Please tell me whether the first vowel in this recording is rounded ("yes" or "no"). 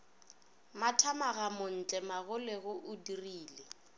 no